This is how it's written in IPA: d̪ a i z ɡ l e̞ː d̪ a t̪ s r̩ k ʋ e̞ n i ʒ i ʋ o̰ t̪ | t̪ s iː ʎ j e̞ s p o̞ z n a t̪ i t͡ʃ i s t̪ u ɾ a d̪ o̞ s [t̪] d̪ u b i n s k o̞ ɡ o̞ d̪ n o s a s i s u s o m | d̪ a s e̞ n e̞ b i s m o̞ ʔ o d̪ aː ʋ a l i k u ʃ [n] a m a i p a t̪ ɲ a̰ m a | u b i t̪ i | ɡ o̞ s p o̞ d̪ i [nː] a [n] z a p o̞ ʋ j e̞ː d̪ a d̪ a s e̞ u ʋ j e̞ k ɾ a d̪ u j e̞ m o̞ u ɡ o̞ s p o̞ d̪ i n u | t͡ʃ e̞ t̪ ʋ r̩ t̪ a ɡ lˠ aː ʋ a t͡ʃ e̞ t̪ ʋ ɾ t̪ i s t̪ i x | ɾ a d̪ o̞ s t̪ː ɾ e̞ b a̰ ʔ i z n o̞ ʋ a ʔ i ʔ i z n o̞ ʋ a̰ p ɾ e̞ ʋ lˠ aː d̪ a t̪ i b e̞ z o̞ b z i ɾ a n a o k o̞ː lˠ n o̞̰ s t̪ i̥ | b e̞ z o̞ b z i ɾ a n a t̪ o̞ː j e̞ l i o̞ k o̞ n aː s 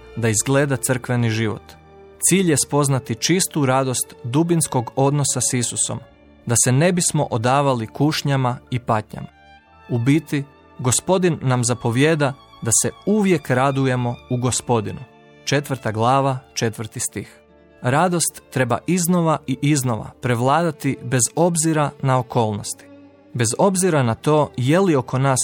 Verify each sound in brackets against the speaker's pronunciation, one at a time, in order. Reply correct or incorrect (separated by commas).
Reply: correct, incorrect, correct, incorrect